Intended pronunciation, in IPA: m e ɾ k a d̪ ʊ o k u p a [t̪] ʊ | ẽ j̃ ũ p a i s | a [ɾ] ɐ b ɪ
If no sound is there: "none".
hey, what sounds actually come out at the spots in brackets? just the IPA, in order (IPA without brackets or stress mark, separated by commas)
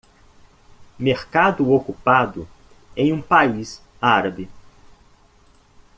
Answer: d̪, ɾ